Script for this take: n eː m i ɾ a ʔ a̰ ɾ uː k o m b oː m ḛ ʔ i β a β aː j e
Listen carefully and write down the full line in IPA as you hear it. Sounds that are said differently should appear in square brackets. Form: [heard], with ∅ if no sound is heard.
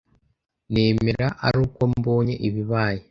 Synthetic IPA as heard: n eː m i ɾ a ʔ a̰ ɾ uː k o m b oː [ɲ] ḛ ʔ i β [i] β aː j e